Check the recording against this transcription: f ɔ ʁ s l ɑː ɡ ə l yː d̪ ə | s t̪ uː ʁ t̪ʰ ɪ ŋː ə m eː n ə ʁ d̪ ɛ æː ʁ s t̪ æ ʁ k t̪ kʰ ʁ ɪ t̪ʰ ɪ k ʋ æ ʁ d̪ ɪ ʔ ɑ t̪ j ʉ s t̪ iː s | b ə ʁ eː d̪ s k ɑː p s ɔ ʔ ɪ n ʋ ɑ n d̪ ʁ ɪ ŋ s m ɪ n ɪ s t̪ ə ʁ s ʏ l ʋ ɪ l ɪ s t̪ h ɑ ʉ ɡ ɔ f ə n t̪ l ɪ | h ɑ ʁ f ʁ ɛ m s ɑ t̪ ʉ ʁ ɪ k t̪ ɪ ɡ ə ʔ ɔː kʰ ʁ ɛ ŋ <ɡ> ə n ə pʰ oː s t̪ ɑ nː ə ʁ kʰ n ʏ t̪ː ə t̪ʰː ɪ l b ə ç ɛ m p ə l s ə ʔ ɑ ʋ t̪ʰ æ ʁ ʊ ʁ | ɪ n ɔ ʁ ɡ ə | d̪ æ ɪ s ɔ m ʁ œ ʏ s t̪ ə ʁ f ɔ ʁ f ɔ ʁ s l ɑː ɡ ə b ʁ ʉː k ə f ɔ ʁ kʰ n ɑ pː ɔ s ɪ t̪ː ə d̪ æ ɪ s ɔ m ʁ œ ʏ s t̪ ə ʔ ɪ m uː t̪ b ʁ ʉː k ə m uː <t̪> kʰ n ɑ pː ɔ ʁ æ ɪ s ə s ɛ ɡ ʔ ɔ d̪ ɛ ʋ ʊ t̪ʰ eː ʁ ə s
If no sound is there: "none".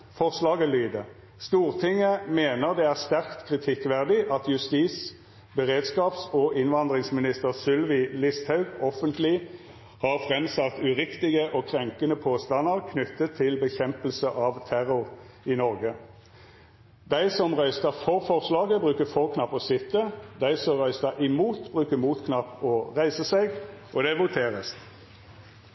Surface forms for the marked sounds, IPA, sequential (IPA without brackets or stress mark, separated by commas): k, t̪